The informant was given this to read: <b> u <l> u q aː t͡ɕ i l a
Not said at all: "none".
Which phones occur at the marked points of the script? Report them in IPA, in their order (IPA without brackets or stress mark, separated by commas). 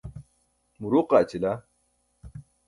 m, ɾ